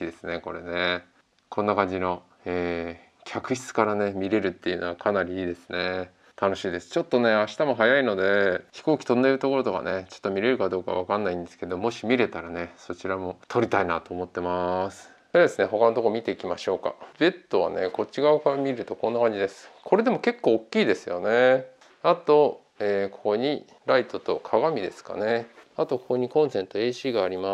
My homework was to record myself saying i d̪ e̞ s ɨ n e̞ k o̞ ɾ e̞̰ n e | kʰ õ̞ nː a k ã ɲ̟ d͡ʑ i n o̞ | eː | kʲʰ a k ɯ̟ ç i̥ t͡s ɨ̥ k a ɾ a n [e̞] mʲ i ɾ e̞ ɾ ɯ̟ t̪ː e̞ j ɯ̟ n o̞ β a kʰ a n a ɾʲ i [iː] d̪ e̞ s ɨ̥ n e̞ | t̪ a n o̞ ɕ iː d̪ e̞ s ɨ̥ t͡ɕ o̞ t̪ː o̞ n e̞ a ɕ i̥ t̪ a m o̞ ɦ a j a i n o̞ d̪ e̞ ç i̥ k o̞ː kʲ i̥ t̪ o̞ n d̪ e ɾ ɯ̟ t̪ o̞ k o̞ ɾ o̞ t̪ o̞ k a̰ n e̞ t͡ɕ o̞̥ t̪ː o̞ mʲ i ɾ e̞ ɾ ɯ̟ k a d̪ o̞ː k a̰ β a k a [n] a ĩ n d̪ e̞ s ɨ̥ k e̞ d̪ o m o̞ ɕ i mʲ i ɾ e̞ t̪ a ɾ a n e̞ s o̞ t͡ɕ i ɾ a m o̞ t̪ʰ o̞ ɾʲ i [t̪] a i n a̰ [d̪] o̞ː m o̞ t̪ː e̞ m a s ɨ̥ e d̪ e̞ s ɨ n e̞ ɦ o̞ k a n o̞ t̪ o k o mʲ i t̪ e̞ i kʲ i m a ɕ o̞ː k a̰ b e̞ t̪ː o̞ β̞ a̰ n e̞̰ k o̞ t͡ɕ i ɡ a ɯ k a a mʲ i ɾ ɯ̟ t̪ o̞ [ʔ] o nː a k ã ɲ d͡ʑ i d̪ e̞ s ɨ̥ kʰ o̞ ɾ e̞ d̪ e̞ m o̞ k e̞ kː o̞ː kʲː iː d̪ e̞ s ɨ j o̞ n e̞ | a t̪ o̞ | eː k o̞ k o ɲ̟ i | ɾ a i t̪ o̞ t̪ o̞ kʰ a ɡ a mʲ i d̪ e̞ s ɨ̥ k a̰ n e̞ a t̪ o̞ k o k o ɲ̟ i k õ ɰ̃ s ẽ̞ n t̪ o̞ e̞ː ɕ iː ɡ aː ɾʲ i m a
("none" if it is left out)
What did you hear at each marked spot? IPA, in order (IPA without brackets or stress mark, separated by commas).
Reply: e̞, iː, nː, t̪, t̪, k